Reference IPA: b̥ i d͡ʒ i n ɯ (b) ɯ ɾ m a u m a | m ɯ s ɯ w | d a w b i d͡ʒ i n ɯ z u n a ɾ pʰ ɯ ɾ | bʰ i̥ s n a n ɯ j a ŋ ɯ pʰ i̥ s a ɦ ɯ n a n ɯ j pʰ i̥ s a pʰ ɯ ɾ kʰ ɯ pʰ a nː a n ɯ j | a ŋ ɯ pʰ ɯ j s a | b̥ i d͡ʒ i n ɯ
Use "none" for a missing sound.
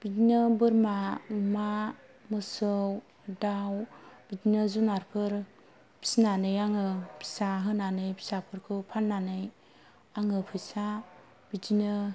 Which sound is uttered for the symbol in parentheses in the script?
b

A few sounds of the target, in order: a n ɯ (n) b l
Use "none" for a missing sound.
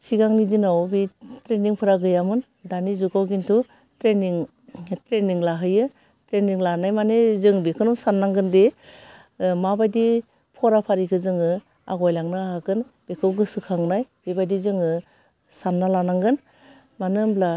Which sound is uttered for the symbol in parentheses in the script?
m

